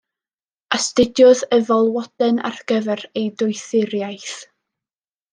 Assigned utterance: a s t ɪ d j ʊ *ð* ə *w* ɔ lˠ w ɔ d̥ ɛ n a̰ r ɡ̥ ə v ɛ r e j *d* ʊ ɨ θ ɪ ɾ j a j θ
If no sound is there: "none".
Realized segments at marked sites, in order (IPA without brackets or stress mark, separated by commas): ð, v, d